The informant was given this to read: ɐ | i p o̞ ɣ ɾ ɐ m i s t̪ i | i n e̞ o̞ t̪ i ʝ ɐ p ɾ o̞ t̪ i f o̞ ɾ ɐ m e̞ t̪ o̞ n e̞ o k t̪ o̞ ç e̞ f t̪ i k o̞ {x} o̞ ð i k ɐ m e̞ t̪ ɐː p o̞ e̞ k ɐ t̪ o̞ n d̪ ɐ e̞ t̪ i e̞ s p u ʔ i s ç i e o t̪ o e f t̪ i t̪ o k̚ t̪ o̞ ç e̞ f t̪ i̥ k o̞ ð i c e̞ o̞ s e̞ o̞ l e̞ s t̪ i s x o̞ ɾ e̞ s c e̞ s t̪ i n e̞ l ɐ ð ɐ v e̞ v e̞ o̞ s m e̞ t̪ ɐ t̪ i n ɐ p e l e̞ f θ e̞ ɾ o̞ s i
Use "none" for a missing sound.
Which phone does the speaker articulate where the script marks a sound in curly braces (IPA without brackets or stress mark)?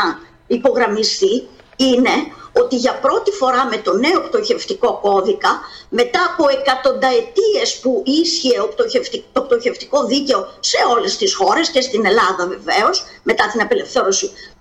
k